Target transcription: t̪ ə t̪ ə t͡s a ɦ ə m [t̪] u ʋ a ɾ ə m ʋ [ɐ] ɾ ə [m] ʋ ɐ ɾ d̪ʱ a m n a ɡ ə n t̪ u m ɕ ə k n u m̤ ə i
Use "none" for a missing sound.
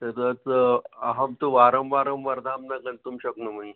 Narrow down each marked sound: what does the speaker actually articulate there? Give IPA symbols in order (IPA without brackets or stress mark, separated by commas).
t̪, a, m